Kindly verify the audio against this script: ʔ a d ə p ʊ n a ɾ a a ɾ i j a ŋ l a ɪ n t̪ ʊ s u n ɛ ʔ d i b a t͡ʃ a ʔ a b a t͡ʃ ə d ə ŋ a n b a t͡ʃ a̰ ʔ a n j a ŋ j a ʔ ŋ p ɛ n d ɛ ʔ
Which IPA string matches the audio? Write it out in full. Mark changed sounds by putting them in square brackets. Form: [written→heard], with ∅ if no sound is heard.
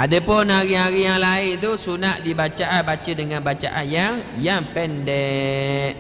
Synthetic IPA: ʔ a d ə p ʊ n a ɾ [a→i] a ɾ i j a ŋ l a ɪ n t̪ [ʊ→u] s u n [ɛ→a] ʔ d i b a t͡ʃ a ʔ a b a t͡ʃ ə d ə ŋ a n b a t͡ʃ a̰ ʔ a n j a ŋ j a [ʔ→∅] ŋ p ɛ n d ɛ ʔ